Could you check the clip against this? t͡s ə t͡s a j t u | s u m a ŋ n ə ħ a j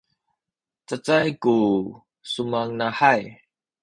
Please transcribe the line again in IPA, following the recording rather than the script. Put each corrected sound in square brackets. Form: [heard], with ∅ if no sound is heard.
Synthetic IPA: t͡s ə t͡s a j [k] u | s u m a ŋ n [a] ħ a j